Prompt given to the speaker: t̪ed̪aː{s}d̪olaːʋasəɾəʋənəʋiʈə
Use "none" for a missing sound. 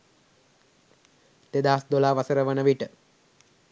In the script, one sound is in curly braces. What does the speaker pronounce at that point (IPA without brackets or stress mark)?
s